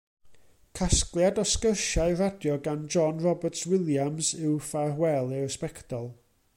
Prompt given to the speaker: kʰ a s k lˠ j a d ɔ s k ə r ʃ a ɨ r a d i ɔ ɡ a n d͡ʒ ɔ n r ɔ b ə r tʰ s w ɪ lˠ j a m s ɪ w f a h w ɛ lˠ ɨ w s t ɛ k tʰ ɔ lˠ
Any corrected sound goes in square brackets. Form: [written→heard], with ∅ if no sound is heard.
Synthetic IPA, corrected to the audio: kʰ a s k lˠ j a d ɔ s k ə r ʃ a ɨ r a d [i→j] ɔ ɡ a n d͡ʒ ɔ n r ɔ b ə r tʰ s w ɪ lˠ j a m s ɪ w f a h w ɛ lˠ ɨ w s [t→p] ɛ k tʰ ɔ lˠ